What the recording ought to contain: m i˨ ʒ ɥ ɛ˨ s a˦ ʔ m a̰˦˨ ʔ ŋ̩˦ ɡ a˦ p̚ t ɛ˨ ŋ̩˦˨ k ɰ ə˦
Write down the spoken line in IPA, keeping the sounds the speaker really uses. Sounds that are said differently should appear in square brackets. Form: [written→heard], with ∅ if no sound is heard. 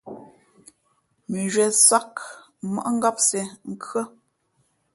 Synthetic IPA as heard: m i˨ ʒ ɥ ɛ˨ s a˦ [ʔ→k] m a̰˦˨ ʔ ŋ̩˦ ɡ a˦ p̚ [t→s] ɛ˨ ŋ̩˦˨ k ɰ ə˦